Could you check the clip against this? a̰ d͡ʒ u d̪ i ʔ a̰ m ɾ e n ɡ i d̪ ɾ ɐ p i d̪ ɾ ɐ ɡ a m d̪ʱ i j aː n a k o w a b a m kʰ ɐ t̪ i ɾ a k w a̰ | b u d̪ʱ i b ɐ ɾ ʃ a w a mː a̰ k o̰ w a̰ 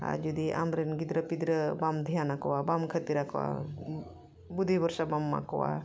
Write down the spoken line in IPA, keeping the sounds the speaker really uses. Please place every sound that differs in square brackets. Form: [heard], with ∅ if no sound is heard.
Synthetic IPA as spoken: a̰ d͡ʒ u d̪ i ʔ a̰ m ɾ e n ɡ i d̪ ɾ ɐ p i d̪ ɾ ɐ [b] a m d̪ʱ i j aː n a k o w a b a m kʰ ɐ t̪ i ɾ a k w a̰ | b u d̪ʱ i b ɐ ɾ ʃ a [b] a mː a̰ k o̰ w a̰